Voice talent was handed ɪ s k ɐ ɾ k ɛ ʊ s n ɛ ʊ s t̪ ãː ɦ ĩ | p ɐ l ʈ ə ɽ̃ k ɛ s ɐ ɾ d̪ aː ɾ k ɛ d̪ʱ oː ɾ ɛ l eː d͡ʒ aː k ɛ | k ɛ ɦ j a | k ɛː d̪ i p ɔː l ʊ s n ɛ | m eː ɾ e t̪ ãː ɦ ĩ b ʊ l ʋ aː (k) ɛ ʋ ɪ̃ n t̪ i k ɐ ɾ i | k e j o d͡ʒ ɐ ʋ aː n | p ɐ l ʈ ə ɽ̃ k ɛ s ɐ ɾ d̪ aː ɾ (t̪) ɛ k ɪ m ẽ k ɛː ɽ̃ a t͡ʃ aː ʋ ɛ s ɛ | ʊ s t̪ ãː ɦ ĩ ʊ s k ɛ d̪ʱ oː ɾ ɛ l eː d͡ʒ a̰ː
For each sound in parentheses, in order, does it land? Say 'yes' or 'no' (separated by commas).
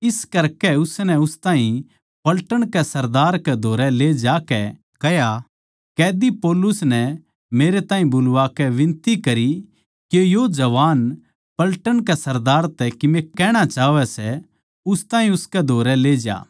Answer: yes, yes